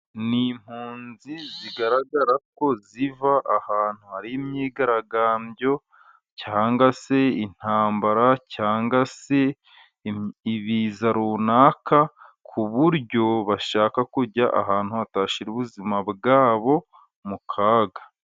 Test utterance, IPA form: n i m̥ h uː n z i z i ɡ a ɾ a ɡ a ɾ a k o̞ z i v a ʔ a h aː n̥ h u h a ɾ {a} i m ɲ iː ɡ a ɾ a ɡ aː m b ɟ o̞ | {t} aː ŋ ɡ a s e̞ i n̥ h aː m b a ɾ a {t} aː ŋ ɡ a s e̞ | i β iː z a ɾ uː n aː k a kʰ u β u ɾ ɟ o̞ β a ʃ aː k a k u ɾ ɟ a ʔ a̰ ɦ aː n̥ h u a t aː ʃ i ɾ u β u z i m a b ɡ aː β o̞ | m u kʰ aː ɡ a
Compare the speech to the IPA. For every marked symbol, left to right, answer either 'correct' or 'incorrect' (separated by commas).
incorrect, incorrect, incorrect